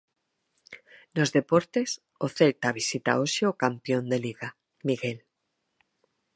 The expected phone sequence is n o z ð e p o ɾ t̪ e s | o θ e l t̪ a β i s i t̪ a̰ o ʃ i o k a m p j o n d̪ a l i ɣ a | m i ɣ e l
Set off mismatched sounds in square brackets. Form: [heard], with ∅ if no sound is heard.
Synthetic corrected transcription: n o z ð e p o ɾ t̪ e s | o θ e l t̪ a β i s i t̪ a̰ o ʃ [e] o k a m p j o n d̪ [e] l i ɣ a | m i ɣ e l